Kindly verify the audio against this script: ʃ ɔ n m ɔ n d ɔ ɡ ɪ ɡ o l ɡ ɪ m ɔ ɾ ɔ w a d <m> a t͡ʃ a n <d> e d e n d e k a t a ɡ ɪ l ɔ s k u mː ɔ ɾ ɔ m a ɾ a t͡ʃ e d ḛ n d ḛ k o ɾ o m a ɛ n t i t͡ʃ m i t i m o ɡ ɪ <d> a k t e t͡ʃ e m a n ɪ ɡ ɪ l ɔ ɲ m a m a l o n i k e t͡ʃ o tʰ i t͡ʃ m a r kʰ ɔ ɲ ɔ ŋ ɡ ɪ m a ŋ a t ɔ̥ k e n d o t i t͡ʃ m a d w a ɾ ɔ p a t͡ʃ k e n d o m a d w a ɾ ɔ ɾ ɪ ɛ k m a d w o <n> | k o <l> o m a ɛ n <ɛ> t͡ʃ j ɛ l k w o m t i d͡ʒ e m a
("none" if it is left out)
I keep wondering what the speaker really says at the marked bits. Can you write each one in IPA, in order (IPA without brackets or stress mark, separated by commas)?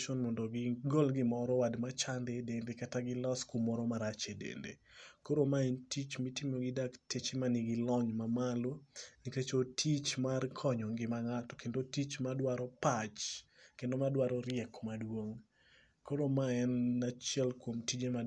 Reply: m, d, d, ŋ, ɾ, a